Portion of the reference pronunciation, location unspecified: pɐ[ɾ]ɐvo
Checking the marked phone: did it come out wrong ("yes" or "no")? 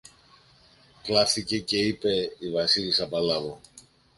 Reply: yes